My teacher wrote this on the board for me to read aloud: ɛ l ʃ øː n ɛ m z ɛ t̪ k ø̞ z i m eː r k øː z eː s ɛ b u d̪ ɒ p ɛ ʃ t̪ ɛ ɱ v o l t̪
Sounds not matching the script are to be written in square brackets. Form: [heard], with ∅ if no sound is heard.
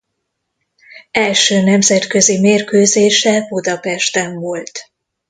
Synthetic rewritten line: ɛ l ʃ øː n ɛ m z ɛ t̪ k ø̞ z i m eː r k øː z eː [ʃ] ɛ b u d̪ ɒ p ɛ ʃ t̪ ɛ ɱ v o l t̪